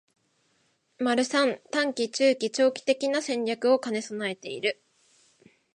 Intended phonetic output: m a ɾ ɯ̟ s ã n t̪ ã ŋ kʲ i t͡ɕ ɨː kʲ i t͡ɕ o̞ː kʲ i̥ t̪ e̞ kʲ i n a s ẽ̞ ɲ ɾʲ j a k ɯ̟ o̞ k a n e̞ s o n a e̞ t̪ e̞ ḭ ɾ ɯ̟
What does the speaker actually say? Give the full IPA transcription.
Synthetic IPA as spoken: m a ɾ ɯ̟ s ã n t̪ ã ŋ kʲ i t͡ɕ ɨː kʲ i t͡ɕ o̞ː kʲ i̥ t̪ e̞ kʲ i n a s ẽ̞ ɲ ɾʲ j a k ɯ̟ o̞ k a n e̞ s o n a e̞ t̪ e̞ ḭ ɾ ɯ̟